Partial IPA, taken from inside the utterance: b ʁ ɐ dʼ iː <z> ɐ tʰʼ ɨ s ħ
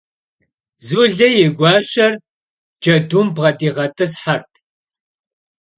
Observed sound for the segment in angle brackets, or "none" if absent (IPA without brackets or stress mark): ʁ